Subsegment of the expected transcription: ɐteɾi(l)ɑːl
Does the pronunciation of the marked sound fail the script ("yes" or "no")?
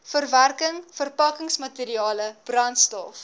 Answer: yes